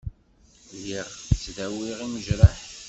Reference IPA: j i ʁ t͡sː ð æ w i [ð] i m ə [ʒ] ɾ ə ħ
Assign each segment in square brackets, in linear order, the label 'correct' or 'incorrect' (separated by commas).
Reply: incorrect, correct